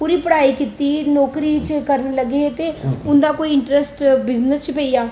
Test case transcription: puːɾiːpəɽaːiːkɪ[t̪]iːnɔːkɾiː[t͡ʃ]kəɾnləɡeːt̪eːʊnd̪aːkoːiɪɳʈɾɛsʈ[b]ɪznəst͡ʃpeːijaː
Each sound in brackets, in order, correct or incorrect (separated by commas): correct, correct, correct